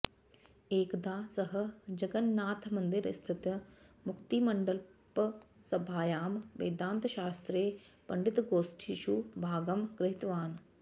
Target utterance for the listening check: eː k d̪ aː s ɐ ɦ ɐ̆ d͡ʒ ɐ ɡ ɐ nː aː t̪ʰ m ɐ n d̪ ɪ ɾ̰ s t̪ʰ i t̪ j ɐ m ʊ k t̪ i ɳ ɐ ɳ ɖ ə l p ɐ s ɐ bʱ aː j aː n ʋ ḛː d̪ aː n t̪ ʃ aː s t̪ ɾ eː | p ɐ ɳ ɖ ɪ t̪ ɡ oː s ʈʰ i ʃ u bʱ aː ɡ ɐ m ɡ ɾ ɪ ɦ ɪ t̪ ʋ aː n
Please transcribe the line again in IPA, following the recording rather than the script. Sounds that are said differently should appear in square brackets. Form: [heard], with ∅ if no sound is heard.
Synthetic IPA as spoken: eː k d̪ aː s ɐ ɦ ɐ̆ d͡ʒ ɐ ɡ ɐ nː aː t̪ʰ m ɐ n d̪ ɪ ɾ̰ s t̪ʰ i t̪ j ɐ m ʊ k t̪ i [m] ɐ ɳ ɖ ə l p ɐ s ɐ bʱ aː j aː [m] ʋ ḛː d̪ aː n t̪ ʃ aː s t̪ ɾ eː | p ɐ ɳ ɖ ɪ t̪ ɡ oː s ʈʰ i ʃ u bʱ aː ɡ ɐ m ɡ ɾ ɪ ɦ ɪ t̪ ʋ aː n

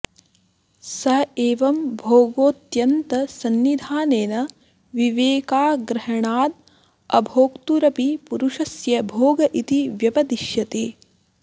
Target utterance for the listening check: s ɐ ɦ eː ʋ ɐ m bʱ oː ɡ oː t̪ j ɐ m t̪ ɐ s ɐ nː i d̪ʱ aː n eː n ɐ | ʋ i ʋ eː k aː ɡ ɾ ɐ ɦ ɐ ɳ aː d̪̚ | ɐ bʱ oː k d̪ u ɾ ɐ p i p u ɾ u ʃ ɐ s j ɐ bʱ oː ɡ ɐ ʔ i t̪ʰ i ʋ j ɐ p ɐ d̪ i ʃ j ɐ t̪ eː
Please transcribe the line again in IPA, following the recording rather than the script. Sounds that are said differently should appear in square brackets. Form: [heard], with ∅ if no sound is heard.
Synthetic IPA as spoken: s ɐ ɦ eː ʋ ɐ m bʱ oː ɡ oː t̪ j ɐ [n] t̪ ɐ s ɐ nː i d̪ʱ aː n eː n ɐ | ʋ i ʋ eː k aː ɡ ɾ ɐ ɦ ɐ ɳ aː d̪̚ | ɐ bʱ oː k [t̪] u ɾ ɐ p i p u ɾ u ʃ ɐ s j ɐ bʱ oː ɡ ɐ ʔ i [t̪] i ʋ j ɐ p ɐ d̪ i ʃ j ɐ t̪ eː

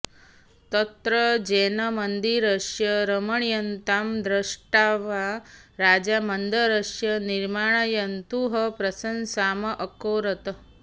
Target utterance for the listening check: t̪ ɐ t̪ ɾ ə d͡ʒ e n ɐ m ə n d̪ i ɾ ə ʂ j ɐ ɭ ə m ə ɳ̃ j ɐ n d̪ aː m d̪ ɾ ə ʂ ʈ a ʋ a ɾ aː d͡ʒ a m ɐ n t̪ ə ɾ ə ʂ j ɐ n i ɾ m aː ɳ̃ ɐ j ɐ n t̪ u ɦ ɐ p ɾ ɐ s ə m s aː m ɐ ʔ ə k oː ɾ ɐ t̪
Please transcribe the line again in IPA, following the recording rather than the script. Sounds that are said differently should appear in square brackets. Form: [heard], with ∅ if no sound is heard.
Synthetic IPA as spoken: t̪ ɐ t̪ ɾ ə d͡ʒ e n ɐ m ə n d̪ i ɾ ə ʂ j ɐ [ɾ] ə m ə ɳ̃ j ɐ n [t̪] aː m d̪ ɾ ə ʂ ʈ a ʋ a ɾ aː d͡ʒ a m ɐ n [d̪] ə ɾ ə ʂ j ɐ n i ɾ m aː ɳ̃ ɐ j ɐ n t̪ u ɦ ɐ p ɾ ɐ s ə [n] s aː m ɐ ʔ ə k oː ɾ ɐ t̪

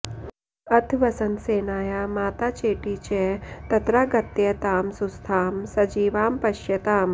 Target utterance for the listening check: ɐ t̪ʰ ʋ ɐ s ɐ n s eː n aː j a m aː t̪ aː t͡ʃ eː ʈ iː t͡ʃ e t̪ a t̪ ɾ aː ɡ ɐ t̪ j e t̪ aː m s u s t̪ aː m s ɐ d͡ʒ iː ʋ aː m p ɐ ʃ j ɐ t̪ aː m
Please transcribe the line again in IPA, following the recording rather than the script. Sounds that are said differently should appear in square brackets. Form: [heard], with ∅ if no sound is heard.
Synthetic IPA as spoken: ɐ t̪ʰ ʋ ɐ s ɐ n s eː n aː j a m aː t̪ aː t͡ʃ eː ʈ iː t͡ʃ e t̪ [ɐ] t̪ ɾ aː ɡ ɐ t̪ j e t̪ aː m s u s [t̪ʰ] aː m s ɐ d͡ʒ iː ʋ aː m p ɐ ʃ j ɐ t̪ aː m

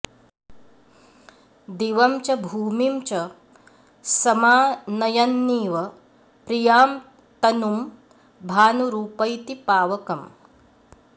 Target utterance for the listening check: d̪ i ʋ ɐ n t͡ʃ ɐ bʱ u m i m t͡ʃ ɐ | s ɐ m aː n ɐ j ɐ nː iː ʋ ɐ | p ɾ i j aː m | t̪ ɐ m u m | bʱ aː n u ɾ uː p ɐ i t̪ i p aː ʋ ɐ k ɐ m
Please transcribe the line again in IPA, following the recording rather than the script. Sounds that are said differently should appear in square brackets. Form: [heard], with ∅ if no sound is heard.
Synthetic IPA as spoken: d̪ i ʋ ɐ [m] t͡ʃ ɐ bʱ [uː] m i m t͡ʃ ɐ | s ɐ m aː n ɐ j ɐ nː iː ʋ ɐ | p ɾ i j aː m | t̪ ɐ [n] u m | bʱ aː n u ɾ uː p ɐ [j] t̪ i p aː ʋ ɐ k ɐ m

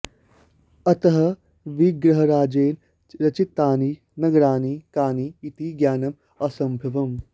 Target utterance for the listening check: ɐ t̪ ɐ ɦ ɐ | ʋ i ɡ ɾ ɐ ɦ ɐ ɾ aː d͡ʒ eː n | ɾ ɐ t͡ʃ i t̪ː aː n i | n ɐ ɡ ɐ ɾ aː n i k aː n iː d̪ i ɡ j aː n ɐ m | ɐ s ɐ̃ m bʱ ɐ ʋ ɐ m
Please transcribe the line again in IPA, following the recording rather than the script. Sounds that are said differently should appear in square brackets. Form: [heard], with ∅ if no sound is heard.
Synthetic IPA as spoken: ɐ t̪ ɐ ɦ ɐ | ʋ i ɡ ɾ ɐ ɦ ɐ ɾ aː d͡ʒ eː n | ɾ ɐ t͡ʃ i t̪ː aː n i | n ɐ ɡ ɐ ɾ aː n i k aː n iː [t̪] i ɡ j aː n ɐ m | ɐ s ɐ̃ m bʱ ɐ ʋ ɐ m

